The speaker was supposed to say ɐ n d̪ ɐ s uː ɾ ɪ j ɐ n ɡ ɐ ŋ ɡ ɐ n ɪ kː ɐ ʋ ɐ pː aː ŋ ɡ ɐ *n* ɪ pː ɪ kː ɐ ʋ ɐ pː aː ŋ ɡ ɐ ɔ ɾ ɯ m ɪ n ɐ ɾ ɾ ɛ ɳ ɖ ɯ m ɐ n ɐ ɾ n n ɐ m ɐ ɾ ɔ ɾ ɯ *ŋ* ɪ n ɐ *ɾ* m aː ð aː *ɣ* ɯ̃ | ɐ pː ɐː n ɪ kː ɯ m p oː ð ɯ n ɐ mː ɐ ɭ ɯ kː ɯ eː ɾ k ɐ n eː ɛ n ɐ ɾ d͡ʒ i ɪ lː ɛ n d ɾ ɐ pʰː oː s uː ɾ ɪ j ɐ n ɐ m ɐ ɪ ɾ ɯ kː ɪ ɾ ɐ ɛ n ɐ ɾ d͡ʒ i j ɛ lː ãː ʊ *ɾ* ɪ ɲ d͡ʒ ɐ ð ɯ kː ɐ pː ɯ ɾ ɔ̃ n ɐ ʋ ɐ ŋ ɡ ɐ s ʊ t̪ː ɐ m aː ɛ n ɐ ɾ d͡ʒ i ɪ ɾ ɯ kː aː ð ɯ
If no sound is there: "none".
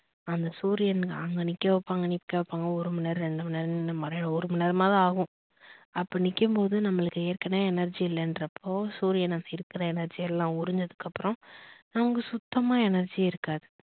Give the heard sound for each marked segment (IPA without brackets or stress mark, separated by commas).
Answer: n, m, ɾ, ɣ, ɾ